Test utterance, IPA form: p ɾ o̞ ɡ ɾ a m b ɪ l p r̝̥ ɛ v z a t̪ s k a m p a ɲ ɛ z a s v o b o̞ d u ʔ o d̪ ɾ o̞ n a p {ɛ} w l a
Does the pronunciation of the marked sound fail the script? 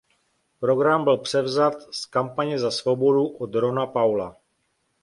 yes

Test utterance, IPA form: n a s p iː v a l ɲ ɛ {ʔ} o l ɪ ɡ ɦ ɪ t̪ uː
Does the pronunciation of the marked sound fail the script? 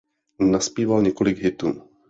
yes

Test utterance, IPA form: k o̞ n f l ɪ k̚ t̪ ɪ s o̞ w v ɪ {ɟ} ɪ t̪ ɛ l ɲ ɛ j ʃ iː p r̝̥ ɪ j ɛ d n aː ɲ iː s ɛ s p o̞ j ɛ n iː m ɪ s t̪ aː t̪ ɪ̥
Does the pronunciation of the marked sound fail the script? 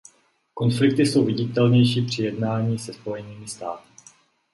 no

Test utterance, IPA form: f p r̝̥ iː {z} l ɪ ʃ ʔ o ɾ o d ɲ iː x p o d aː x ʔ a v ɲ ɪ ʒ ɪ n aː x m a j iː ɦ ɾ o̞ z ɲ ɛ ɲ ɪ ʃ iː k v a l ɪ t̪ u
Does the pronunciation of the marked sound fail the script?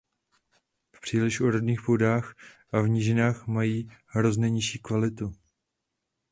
yes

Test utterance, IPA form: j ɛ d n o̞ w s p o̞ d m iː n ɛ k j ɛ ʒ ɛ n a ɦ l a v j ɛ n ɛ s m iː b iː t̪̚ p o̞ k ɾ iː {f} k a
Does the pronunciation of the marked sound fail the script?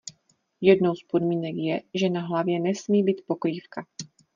no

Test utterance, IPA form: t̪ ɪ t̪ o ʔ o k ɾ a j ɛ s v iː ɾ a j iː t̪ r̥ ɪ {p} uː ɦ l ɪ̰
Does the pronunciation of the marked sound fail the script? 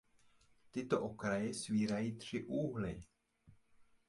yes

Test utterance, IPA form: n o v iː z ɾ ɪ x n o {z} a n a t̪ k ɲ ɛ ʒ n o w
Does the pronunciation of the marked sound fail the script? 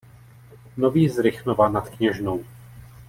yes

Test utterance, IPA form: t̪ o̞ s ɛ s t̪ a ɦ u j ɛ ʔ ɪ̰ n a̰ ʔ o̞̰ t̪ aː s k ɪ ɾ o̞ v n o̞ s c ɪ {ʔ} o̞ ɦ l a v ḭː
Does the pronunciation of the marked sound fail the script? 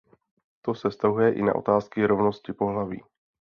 yes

